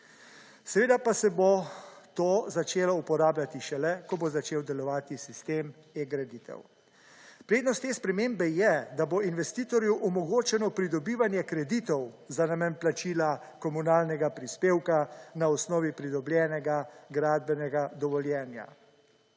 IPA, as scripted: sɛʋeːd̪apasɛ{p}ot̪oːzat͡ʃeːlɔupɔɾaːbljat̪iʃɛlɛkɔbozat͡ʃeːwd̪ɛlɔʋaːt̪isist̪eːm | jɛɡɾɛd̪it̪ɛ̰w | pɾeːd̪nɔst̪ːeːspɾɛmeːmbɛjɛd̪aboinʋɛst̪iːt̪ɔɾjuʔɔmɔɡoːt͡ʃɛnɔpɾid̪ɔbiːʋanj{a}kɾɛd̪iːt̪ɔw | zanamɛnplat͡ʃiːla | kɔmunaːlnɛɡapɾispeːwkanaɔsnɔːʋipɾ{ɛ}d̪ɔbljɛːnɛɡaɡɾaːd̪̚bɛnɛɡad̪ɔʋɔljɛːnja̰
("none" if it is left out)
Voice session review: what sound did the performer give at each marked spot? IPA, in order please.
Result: b, ɛ, i

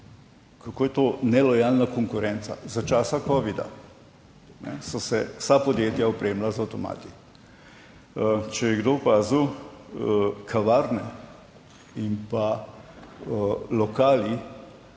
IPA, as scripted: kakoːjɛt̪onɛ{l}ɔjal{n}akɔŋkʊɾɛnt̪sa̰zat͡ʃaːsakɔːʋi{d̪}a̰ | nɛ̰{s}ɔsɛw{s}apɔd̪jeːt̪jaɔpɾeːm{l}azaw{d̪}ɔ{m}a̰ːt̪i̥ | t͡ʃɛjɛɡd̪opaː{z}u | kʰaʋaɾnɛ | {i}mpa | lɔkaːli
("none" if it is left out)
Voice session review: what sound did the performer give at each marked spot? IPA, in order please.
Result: l, n, d̪, s, s, l, t̪, m, z, i

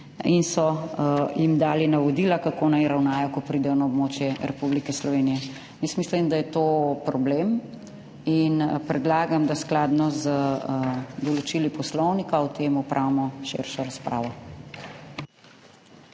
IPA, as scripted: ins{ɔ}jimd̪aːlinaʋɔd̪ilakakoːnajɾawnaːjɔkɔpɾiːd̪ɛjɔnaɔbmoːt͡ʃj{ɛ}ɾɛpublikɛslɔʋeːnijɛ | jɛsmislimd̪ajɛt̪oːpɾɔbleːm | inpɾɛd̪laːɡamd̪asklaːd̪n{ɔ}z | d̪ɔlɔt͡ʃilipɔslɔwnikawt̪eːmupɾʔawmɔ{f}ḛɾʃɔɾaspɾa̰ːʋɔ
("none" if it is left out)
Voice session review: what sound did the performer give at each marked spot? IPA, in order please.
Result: ɔ, ɛ, ɔ, ʃ

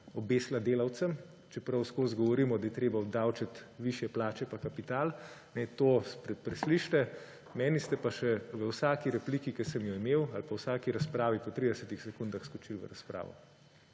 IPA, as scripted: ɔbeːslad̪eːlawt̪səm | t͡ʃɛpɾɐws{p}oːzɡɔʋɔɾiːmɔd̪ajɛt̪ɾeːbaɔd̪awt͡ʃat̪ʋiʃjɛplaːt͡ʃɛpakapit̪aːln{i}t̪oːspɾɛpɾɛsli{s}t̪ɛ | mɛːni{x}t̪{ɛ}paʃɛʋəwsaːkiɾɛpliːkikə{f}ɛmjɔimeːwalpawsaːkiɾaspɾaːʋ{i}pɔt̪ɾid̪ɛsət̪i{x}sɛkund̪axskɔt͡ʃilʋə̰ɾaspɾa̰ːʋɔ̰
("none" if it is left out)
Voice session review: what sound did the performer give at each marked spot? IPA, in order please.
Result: k, ɛ, ʃ, s, ɛ, s, i, x

